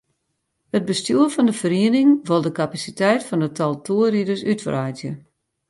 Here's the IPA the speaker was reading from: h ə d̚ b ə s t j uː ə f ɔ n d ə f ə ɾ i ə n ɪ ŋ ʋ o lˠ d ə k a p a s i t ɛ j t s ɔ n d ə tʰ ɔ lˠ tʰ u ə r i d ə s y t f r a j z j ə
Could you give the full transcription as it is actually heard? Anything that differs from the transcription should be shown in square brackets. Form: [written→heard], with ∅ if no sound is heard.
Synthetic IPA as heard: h ə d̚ b ə s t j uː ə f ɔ n d ə f ə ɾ i ə n ɪ ŋ ʋ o lˠ d ə k a p a s i t ɛ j t [s→f] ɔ n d ə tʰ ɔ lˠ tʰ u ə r i d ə s y t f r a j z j ə